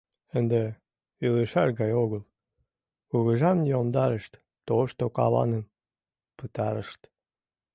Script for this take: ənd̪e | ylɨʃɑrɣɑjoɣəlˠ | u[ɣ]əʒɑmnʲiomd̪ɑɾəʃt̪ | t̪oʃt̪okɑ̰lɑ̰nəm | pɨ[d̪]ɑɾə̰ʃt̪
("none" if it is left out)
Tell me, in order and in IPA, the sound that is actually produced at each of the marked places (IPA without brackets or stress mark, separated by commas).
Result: ɣ, t̪